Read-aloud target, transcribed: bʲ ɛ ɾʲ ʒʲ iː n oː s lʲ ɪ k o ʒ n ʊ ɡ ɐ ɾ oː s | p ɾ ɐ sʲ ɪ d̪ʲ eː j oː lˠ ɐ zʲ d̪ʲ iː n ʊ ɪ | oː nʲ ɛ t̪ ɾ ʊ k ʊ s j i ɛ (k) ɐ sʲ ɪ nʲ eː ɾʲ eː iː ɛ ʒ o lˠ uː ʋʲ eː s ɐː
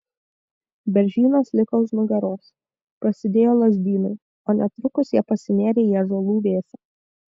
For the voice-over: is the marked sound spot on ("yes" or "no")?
no